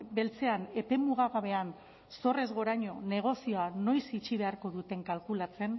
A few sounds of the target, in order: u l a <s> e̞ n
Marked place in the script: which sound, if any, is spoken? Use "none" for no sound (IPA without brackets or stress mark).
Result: t͡s